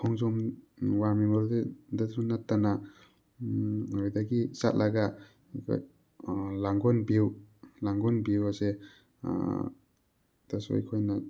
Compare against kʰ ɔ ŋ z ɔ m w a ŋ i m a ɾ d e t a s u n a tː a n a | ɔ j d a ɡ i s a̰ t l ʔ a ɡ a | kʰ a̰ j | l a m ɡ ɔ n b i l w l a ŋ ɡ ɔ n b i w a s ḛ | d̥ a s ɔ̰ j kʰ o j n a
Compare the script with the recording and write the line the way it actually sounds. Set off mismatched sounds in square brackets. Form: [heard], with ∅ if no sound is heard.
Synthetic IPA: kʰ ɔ ŋ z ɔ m w a [m] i m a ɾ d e [d] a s u n a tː a n a | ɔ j d a ɡ i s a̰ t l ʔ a ɡ a | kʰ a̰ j | l a [ŋ] ɡ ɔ n b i [∅] w l a ŋ ɡ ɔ n b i w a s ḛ | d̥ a s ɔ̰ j kʰ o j n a